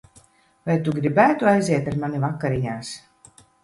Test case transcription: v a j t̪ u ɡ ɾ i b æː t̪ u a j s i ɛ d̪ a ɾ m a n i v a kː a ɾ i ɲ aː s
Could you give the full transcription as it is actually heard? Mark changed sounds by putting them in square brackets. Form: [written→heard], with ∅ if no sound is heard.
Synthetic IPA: v a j t̪ u ɡ ɾ i b æː t̪ u a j [s→z] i ɛ [d̪→t̪] a ɾ m a n i v a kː a ɾ i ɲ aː s

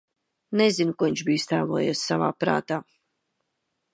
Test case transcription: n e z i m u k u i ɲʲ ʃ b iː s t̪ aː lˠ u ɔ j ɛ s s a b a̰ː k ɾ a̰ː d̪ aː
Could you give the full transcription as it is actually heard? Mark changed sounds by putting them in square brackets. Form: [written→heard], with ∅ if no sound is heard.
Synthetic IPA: n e z i [m→n] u k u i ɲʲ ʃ b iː s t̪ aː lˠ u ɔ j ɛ s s a [b→v] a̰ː [k→p] ɾ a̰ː [d̪→t̪] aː

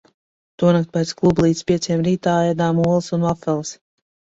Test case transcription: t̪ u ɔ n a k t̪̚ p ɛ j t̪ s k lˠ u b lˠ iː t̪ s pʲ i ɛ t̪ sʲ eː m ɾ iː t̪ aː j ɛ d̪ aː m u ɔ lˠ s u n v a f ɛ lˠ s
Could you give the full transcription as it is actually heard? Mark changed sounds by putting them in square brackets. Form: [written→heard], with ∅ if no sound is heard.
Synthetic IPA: t̪ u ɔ n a k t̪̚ p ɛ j t̪ s k lˠ u b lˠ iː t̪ s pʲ i ɛ t̪ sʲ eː m ɾ iː t̪ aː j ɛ d̪ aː m u ɔ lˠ s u n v a f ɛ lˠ s

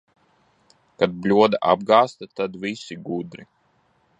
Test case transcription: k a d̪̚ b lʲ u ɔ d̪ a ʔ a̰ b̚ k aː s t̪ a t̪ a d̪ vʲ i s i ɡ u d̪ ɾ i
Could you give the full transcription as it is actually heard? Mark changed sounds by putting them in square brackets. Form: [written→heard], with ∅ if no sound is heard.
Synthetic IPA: k a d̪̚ b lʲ u ɔ d̪ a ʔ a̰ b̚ [k→ɡ] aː s t̪ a t̪ a d̪ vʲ i s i ɡ u d̪ ɾ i

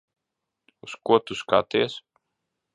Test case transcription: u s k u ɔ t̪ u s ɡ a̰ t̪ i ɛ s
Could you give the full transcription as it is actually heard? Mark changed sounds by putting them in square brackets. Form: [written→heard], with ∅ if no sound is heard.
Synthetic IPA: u s k u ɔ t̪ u s [ɡ→k] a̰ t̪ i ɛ s

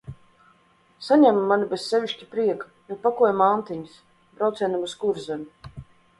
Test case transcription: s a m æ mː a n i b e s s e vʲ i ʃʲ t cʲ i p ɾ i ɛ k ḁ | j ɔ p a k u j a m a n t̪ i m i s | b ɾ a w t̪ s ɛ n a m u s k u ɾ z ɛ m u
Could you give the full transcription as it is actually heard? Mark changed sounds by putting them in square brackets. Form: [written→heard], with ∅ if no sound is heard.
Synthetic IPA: s a [m→ɲ] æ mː a n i b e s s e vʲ i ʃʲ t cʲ i p ɾ i ɛ k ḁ | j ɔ p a k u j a m a n t̪ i [m→ɲ] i s | b ɾ a w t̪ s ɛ n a m u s k u ɾ z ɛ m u

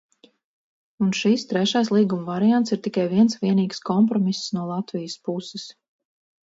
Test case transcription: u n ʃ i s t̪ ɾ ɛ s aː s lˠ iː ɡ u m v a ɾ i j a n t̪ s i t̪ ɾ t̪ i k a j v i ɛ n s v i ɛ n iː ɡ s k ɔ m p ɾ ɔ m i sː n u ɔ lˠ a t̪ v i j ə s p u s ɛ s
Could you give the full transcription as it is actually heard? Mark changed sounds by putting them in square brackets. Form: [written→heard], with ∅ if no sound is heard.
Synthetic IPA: u n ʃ i s t̪ ɾ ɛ [s→ʃ] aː s lˠ iː ɡ u m v a ɾ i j a n t̪ s i [t̪→∅] ɾ t̪ i k a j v i ɛ n s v i ɛ n iː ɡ s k ɔ m p ɾ ɔ m i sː n u ɔ lˠ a t̪ v i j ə s p u s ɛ s

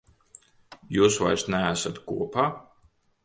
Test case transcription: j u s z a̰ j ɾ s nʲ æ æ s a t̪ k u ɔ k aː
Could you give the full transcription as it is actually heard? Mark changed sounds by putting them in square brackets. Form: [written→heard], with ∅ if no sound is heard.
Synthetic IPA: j [u→uː] s [z→v] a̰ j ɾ s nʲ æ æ s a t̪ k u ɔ [k→p] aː

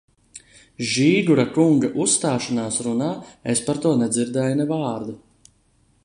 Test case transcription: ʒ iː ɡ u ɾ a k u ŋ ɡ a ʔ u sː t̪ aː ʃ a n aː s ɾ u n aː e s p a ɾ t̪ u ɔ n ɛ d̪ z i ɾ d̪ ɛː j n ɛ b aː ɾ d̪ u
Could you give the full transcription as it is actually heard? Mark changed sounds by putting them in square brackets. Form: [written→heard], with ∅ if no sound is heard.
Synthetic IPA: ʒ iː ɡ u ɾ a k u ŋ ɡ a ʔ u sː t̪ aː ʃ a n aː s ɾ u n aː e s p a ɾ t̪ u ɔ n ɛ d̪ z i ɾ d̪ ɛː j n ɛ [b→v] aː ɾ d̪ u

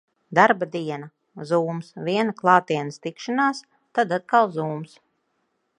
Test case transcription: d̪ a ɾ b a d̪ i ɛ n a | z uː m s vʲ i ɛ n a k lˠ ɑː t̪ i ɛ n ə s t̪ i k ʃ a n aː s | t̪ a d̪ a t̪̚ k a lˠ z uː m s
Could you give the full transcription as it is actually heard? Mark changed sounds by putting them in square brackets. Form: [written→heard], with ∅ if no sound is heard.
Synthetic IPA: d̪ a ɾ b a d̪ i ɛ n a | z uː m s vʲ i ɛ n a k lˠ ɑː t̪ i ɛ n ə s t̪ i k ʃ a n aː s | t̪ a d̪ a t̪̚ k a lˠ z uː m s

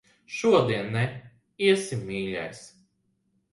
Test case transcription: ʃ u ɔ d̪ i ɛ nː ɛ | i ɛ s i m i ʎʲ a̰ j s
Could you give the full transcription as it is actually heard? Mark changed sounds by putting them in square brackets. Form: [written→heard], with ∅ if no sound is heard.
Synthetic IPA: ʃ u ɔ d̪ i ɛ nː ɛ | i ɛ s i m [i→iː] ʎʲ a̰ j s

